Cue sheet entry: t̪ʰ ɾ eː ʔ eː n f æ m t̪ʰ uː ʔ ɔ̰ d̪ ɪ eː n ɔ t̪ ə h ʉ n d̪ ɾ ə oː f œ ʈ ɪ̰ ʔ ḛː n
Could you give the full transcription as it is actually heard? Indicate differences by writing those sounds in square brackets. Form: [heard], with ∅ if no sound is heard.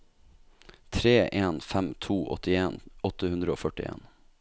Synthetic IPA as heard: t̪ʰ ɾ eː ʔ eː n f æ m t̪ʰ uː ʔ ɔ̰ [t̪] ɪ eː n ɔ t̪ ə h ʉ n d̪ ɾ ə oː f œ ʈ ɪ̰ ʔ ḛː n